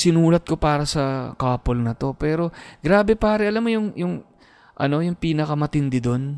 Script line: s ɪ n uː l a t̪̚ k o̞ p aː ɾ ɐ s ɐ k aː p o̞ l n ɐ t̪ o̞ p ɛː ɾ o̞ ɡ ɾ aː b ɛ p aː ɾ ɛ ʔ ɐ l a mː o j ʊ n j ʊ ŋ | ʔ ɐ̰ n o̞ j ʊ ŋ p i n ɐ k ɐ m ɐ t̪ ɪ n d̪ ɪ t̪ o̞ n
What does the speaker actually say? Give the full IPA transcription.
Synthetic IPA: s ɪ n uː l ɐ t̪̚ k o̞ p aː ɾ ɐ s ɐ k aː p o̞ l n ɐ t̪ o̞ p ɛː ɾ o̞ ɡ ɾ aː b ɛ p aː ɾ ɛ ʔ ɐ l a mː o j ʊ ŋ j ʊ ŋ | ʔ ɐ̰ n o̞ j ʊ ŋ p iː n ɐ k ɐ m ɐ t̪ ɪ n d̪ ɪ d̪ o̞ n